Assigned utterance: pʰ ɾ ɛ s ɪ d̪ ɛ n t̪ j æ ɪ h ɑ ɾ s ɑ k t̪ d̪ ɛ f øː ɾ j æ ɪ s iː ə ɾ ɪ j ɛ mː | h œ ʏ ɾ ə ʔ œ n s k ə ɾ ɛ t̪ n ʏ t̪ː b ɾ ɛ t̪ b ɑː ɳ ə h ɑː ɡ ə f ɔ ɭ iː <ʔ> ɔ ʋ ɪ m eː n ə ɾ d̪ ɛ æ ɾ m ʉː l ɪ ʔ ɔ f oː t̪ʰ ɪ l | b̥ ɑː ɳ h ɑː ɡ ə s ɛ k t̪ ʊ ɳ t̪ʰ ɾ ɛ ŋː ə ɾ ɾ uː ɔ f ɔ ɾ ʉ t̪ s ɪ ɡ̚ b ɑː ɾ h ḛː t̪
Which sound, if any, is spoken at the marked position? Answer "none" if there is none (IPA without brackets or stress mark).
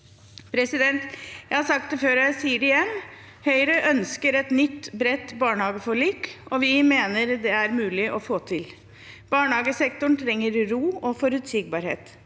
k